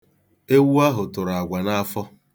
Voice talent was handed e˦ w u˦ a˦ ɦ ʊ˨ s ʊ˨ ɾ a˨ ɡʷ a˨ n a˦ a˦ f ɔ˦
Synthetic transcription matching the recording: e˦ w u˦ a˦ ɦ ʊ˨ t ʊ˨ ɾ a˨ ɡʷ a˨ n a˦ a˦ f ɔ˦